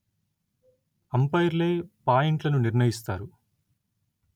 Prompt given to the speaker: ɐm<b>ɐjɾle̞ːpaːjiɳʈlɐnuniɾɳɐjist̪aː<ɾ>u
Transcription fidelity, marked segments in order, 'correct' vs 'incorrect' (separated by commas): incorrect, correct